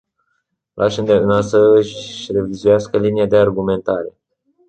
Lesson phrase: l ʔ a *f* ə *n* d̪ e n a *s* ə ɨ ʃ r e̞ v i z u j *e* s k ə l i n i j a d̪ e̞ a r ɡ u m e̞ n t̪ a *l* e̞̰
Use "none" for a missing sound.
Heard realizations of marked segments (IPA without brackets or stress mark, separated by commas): ʃ, n, s, a, ɾ